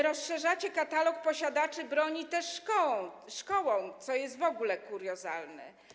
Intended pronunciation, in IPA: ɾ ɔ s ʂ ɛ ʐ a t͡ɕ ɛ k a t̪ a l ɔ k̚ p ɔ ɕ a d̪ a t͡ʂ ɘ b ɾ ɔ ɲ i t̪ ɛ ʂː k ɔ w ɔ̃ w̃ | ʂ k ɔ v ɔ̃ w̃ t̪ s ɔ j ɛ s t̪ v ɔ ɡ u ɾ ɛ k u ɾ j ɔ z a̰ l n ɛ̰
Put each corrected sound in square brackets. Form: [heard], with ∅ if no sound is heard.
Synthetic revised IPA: ɾ ɔ s ʂ ɛ ʐ a t͡ɕ ɛ k a t̪ a l ɔ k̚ p ɔ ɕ a d̪ a t͡ʂ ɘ b ɾ ɔ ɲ i t̪ ɛ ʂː k ɔ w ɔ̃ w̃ | ʂ k ɔ [w] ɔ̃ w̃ t̪ s ɔ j ɛ s t̪ v ɔ ɡ u [l] ɛ k u ɾ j ɔ z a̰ l n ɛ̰